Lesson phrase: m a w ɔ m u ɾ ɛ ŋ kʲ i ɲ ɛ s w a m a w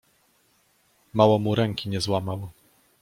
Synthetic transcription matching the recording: m a w ɔ m u ɾ ɛ ŋ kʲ i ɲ ɛ z w a m a w